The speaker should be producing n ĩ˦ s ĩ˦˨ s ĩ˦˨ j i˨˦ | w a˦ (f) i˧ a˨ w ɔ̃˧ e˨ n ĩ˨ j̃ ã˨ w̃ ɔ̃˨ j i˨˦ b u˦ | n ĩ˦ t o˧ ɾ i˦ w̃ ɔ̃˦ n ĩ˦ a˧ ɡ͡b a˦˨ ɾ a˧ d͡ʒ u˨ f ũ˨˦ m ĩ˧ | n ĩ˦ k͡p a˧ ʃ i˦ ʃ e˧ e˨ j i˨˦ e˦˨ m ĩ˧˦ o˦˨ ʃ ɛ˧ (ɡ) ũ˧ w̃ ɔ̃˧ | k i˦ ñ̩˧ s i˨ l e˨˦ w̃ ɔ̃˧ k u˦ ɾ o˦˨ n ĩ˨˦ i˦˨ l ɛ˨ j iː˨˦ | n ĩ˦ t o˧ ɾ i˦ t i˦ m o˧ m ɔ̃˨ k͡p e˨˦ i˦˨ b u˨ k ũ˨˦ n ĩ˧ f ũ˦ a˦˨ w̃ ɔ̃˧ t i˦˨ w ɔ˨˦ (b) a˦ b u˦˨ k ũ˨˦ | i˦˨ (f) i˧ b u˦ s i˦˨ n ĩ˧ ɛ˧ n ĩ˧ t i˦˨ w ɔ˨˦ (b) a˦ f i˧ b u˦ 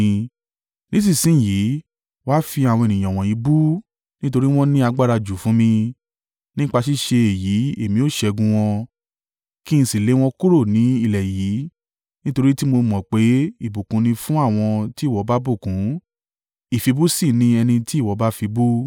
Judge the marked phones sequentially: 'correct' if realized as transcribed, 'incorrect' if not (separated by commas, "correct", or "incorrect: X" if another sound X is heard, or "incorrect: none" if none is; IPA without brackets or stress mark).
correct, correct, correct, correct, correct